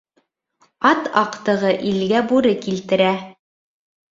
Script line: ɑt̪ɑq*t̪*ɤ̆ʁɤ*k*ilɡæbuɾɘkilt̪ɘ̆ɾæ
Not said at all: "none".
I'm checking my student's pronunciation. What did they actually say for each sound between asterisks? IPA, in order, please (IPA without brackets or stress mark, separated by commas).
t̪, ʔ